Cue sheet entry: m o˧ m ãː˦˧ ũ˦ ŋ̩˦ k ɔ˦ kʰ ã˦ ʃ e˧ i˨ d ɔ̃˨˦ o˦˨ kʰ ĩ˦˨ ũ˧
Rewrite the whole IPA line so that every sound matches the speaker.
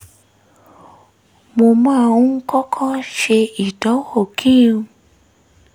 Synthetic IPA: m o˧ m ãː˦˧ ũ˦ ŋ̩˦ k ɔ˦ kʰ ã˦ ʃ e˧ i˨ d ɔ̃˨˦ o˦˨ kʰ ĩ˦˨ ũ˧